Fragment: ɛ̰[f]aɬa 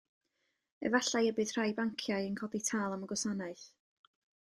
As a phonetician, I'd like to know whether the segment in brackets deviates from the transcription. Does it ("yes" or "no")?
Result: yes